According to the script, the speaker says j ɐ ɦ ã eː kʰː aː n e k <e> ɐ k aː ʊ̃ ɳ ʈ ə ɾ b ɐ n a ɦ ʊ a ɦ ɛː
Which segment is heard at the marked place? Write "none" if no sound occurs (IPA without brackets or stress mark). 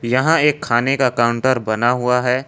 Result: a